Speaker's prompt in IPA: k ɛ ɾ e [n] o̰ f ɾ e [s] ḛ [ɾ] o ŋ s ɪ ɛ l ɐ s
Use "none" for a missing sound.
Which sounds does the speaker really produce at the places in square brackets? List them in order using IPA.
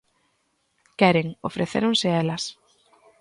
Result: ŋ, θ, ɾ

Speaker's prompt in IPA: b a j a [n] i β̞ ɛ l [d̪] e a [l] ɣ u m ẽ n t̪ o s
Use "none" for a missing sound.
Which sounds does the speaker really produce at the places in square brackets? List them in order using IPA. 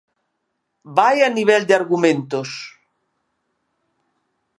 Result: n, d̪, ɾ

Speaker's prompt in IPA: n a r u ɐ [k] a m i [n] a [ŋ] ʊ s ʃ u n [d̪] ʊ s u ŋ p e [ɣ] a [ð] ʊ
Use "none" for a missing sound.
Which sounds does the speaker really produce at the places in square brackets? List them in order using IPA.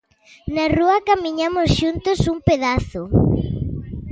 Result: k, ɲ, m, t̪, ð, θ

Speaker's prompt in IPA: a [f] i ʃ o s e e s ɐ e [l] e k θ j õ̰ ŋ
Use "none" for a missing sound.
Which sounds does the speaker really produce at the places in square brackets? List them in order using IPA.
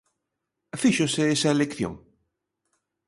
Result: f, l

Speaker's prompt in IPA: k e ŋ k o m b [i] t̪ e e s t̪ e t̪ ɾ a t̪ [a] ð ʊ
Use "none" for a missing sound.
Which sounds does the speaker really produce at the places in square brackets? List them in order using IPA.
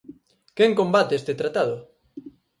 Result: a, a

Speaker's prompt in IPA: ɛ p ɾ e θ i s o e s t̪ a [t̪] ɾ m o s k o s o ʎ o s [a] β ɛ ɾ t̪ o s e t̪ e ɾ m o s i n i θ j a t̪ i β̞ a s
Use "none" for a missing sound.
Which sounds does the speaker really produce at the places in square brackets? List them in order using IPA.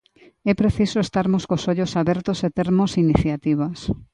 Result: none, a

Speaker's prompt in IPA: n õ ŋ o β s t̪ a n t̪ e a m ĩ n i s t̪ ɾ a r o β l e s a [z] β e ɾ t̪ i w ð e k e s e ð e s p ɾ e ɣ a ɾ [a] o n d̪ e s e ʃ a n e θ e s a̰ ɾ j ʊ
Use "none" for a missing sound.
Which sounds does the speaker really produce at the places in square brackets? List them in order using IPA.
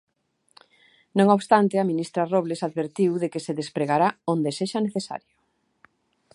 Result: ð, a

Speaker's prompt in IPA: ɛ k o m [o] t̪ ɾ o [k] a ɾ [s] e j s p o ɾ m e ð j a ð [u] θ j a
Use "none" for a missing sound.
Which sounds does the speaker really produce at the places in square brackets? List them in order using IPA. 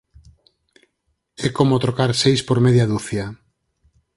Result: o, k, s, u

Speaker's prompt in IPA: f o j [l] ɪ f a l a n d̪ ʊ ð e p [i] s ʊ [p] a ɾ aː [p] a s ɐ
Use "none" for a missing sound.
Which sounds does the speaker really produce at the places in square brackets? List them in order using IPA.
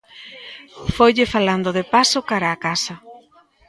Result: ʎ, a, k, k

